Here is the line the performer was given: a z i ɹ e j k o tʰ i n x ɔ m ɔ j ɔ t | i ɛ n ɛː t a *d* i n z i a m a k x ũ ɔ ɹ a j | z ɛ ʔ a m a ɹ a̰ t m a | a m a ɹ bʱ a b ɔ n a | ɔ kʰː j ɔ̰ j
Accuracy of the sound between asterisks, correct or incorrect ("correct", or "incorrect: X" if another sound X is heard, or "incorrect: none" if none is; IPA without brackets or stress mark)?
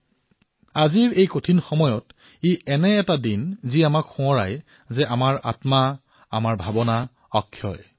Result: correct